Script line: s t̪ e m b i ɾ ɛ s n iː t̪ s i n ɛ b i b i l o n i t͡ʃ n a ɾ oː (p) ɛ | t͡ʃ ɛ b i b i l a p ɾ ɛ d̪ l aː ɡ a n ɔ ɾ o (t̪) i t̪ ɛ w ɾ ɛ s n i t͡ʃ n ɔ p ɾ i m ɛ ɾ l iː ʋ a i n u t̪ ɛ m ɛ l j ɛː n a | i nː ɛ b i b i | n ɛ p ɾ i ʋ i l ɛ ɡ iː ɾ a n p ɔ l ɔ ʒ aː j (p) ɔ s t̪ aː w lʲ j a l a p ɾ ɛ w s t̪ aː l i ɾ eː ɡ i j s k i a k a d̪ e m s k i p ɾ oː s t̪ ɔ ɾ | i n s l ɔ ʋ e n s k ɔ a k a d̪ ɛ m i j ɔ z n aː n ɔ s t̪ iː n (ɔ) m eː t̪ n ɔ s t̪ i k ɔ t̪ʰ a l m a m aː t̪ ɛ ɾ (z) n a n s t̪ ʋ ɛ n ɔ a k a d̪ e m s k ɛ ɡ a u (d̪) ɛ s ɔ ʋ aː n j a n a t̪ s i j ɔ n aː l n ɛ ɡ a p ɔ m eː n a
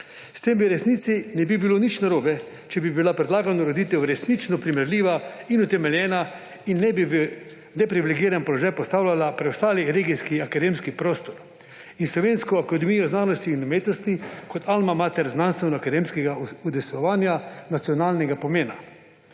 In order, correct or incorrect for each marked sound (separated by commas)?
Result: incorrect, incorrect, correct, incorrect, correct, correct